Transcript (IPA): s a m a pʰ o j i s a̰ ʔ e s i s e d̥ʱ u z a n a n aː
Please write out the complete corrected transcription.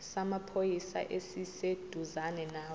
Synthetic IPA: s a m a pʰ o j i s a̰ ʔ e s i s e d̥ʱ u z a n ɛ n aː